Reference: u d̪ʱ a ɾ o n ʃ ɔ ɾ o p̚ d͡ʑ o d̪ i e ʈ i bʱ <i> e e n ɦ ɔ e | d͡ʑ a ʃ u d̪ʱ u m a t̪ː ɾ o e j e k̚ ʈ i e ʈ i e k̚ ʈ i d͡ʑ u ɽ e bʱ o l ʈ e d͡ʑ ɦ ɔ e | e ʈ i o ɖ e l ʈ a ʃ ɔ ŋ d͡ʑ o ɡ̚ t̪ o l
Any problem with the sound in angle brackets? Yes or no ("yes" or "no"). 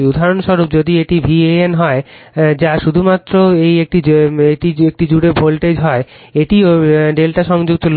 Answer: no